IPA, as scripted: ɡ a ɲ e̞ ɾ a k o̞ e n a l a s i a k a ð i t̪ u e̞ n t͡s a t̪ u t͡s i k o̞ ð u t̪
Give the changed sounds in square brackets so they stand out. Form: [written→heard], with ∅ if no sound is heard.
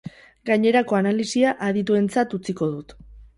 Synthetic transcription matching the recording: ɡ a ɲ e̞ ɾ a k o̞ [e→a] n a l [a→i] s i a [k→ʔ] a ð i t̪ u e̞ n t͡s a t̪ u t͡s i k o̞ ð u t̪